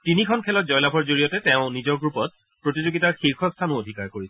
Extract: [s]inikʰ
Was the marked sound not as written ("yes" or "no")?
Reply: yes